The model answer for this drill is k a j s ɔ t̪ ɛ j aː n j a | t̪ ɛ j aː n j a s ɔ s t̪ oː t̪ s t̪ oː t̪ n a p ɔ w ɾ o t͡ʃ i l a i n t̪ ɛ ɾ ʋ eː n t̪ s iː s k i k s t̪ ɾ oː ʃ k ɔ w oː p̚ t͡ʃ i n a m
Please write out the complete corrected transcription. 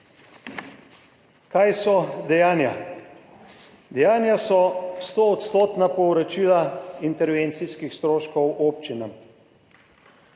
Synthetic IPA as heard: k a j s ɔ d̪ ɛ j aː n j a | d̪ ɛ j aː n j a s ɔ s t̪ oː t̪ s t̪ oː t̪ n a p ɔ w ɾ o t͡ʃ i l a i n t̪ ɛ ɾ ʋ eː n t̪ s i s k i x s t̪ ɾ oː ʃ k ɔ w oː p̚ t͡ʃ i n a m